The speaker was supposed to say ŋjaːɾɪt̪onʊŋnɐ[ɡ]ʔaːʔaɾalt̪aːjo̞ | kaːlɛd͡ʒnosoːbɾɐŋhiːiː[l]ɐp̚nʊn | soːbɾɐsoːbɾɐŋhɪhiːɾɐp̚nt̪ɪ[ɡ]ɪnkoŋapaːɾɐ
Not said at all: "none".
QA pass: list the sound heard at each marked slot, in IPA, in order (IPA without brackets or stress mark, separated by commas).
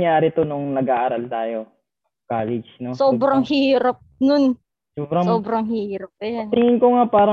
ɡ, ɾ, ŋ